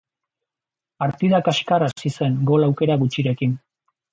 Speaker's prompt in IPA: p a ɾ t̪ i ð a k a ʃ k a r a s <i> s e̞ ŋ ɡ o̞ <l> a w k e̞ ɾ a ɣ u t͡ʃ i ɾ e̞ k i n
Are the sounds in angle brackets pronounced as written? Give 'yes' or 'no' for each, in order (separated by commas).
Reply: yes, yes